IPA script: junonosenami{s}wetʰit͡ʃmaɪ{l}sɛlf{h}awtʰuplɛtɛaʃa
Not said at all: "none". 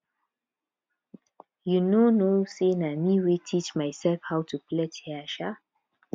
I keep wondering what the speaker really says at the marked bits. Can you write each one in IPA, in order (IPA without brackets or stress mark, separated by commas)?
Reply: none, none, h